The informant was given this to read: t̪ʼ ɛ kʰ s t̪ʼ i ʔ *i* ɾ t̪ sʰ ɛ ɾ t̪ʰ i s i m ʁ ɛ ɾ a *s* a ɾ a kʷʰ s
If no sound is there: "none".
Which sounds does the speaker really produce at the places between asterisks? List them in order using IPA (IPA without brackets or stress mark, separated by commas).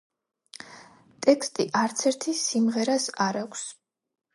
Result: a, s